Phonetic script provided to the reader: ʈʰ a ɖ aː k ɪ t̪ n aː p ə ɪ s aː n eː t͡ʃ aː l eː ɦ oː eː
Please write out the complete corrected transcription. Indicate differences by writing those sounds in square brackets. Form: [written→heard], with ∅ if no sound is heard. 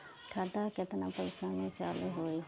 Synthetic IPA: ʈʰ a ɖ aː k ɪ t̪ n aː p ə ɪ s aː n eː t͡ʃ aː l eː ɦ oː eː